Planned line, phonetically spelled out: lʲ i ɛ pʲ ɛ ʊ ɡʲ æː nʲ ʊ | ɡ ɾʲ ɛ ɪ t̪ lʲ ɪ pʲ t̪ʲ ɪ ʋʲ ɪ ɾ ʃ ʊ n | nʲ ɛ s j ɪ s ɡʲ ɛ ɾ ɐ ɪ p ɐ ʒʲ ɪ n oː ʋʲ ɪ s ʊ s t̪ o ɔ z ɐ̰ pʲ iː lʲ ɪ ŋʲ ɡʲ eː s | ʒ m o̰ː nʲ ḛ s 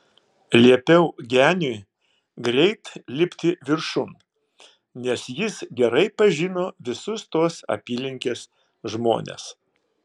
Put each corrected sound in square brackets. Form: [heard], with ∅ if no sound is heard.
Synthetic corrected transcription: lʲ i ɛ pʲ ɛ ʊ ɡʲ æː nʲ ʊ | ɡ ɾʲ ɛ ɪ t̪ lʲ ɪ pʲ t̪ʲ ɪ ʋʲ ɪ ɾ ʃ ʊ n | nʲ ɛ s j ɪ s ɡʲ ɛ ɾ ɐ ɪ p ɐ ʒʲ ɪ n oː ʋʲ ɪ s ʊ s t̪ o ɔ [s] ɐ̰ pʲ iː lʲ ɪ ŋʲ [kʲ] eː s | ʒ m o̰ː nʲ ḛ s